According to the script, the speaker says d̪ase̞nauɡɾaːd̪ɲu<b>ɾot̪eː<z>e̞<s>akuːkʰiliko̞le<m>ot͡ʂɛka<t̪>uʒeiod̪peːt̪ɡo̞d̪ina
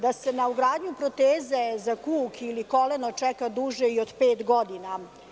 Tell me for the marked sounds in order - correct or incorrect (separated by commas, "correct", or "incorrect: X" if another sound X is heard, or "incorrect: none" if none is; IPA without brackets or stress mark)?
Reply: incorrect: p, correct, incorrect: z, incorrect: n, incorrect: d̪